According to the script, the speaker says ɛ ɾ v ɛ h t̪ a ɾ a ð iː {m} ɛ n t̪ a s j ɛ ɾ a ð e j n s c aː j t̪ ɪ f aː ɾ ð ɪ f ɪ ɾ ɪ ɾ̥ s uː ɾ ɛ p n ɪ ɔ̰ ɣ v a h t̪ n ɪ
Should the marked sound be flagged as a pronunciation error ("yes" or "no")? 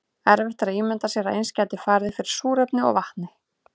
no